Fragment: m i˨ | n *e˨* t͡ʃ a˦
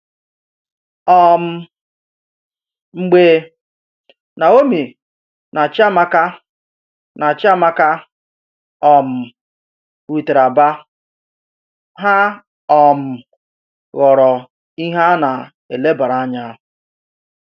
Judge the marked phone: incorrect: a˨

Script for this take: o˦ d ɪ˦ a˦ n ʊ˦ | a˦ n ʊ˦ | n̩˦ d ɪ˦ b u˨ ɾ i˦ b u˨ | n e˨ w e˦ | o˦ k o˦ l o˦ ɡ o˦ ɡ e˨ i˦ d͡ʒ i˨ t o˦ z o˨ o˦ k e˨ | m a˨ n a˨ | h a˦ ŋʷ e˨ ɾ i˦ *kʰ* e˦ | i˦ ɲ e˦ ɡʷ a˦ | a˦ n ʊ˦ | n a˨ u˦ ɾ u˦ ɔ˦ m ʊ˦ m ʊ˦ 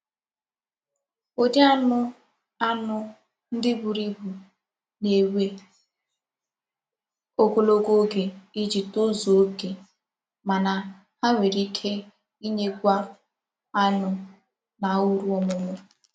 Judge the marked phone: correct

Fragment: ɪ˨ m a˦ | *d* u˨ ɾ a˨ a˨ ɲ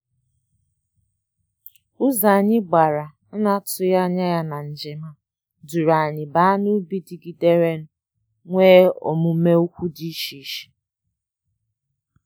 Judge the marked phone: correct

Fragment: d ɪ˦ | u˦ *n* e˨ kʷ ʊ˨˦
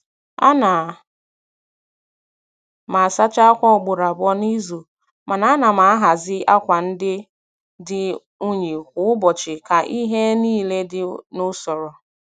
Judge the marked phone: incorrect: ɲ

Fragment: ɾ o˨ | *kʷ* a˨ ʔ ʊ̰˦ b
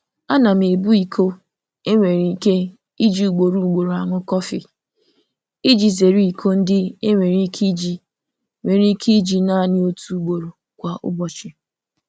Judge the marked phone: correct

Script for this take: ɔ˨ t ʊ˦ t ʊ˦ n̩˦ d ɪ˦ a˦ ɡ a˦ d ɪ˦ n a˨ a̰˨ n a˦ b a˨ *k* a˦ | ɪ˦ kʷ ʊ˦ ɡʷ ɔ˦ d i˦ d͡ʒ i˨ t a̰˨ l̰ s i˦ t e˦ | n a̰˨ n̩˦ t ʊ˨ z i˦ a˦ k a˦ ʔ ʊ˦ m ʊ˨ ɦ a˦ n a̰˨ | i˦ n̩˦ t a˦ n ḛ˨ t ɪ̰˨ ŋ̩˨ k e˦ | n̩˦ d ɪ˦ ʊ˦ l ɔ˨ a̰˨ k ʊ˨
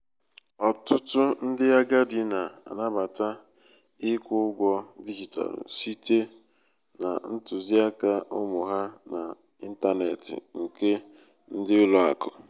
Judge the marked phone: incorrect: t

